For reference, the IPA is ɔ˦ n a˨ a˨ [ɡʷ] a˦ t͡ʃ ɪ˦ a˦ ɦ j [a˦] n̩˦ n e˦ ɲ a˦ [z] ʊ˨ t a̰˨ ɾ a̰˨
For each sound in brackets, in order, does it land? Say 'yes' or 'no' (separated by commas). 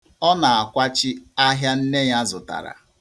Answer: no, yes, yes